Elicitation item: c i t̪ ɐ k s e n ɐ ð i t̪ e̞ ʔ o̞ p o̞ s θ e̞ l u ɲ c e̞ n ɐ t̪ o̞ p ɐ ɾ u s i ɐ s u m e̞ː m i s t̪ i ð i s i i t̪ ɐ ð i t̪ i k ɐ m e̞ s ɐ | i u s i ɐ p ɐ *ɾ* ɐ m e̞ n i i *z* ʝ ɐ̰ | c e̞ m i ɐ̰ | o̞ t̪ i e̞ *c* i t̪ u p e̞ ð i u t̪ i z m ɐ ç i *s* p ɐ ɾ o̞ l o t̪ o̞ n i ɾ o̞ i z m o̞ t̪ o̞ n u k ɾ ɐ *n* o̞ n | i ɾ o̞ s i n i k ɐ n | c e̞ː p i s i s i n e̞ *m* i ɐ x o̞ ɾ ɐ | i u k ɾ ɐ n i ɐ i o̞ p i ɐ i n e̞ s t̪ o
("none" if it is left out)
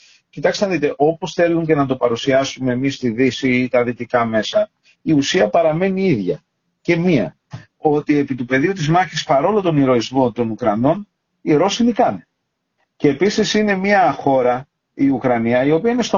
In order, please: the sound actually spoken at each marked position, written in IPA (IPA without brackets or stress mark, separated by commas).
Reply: ɾ, ð, p, s, n, m